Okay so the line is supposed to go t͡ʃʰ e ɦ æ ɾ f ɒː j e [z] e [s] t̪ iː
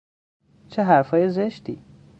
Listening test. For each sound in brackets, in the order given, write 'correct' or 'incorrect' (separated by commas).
correct, incorrect